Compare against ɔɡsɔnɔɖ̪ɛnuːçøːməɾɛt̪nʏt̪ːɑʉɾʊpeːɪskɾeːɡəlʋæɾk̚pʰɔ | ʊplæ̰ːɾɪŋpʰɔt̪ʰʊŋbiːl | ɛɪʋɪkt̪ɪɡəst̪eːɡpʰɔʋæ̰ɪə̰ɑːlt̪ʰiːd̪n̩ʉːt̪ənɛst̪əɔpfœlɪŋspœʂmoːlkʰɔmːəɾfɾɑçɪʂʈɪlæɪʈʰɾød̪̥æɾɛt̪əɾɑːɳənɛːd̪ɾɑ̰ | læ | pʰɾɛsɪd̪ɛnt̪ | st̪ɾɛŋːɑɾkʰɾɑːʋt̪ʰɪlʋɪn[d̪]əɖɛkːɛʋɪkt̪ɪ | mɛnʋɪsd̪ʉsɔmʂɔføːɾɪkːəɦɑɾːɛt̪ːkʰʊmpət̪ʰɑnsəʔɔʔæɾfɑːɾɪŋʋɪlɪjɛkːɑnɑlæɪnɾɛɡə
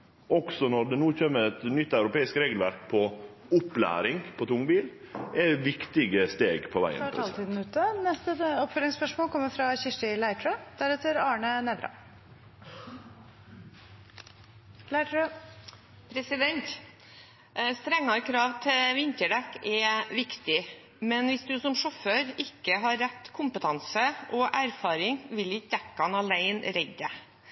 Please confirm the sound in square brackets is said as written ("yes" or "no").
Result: no